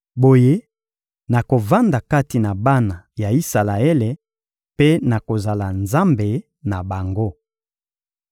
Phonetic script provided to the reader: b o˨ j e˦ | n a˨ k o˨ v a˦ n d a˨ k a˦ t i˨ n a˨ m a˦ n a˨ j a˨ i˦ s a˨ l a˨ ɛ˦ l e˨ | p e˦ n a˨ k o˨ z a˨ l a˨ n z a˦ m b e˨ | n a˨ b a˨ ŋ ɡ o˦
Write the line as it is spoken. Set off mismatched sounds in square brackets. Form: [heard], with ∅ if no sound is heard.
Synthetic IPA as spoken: b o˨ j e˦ | n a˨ k o˨ v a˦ n d a˨ k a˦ t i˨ n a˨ [b] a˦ n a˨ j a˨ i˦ s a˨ l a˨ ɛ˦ l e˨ | p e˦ n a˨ k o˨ z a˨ l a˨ n z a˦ m b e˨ | n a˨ b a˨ ŋ ɡ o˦